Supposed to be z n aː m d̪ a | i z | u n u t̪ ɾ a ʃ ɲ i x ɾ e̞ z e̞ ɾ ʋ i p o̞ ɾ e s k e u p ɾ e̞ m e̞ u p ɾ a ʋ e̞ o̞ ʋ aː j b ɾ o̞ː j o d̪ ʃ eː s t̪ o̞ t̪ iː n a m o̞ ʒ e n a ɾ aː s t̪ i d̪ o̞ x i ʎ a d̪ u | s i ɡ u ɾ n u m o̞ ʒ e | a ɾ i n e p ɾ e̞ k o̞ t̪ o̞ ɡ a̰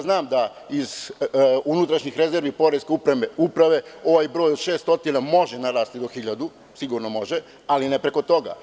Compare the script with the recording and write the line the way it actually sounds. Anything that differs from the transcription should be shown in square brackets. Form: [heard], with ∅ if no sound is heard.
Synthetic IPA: z n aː m d̪ a | i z | u n u t̪ ɾ a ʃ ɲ i x ɾ e̞ z e̞ ɾ ʋ i p o̞ ɾ e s k e u p ɾ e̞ m e̞ u p ɾ a ʋ e̞ o̞ ʋ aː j b ɾ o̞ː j o d̪ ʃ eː s t̪ o̞ t̪ [i] n a m o̞ ʒ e n a ɾ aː s t̪ i d̪ o̞ x i ʎ a d̪ u | s i ɡ u ɾ n [o] m o̞ ʒ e | a [l] i n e p ɾ e̞ k o̞ t̪ o̞ ɡ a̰